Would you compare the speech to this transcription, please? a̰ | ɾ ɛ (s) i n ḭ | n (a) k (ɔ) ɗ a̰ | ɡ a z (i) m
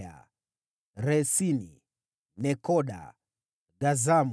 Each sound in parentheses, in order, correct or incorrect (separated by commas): correct, incorrect, correct, incorrect